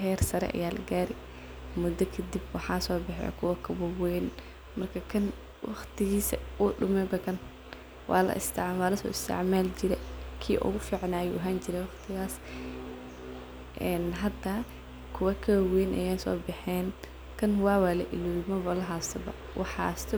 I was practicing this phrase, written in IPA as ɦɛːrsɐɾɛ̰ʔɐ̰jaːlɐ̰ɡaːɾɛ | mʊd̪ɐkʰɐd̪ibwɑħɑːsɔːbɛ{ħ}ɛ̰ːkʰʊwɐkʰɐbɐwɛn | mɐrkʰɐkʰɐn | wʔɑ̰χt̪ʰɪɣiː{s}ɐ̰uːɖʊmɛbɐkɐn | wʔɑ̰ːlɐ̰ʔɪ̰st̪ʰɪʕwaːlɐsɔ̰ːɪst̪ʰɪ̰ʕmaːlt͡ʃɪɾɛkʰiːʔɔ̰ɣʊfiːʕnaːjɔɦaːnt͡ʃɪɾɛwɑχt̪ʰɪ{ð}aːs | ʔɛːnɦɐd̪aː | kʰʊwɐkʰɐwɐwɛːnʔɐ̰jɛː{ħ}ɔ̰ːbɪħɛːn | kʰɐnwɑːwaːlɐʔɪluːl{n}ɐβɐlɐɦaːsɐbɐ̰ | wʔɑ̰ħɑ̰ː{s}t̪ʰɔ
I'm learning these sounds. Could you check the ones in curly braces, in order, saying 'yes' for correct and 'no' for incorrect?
yes, yes, no, no, no, yes

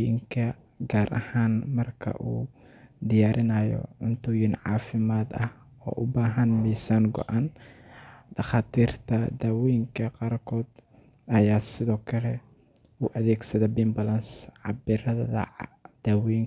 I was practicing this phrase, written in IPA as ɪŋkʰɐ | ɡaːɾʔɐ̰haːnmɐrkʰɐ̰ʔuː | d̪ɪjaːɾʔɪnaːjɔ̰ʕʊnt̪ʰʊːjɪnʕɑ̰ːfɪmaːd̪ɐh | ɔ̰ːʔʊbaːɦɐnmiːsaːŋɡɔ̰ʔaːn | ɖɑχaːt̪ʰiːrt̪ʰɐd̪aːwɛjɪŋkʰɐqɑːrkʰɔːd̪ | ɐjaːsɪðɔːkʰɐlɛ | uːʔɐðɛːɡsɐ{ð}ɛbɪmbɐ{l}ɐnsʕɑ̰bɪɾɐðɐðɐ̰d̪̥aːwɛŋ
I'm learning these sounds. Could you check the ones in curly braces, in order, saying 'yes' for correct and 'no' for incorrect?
yes, yes

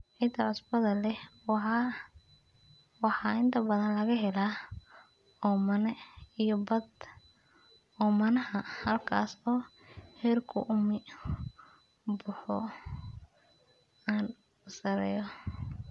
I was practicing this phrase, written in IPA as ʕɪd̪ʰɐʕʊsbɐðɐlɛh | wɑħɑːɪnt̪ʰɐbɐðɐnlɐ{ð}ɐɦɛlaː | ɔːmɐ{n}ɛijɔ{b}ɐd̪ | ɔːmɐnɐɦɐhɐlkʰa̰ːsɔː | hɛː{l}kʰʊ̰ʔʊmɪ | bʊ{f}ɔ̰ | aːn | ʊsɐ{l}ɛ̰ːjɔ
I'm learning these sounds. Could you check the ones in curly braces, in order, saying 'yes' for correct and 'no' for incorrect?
no, yes, yes, no, no, no

